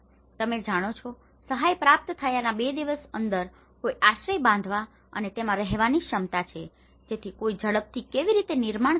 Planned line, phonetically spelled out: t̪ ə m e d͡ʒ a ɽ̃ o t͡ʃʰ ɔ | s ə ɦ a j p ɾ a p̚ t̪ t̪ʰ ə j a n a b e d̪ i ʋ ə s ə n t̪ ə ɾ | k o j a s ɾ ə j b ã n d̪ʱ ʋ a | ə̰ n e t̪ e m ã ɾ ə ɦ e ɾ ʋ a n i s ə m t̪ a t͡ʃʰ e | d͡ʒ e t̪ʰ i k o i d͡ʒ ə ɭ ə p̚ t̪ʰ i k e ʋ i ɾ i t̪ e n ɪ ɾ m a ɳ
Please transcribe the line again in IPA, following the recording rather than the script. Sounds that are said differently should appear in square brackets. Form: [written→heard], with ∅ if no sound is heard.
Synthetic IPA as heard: t̪ ə m e d͡ʒ a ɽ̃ o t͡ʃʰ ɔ | s ə ɦ a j p ɾ a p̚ t̪ t̪ʰ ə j a n a b e d̪ i ʋ ə s ə n [t̪→d̪] ə ɾ | k o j a [s→ʃ] ɾ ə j b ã n d̪ʱ ʋ a | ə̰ n e t̪ e m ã ɾ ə ɦ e [ɾ→∅] ʋ a n i [s→ʃ] ə m t̪ a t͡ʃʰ e | d͡ʒ e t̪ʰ i k o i d͡ʒ ə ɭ ə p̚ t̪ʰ i k e ʋ i ɾ i t̪ e n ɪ ɾ m a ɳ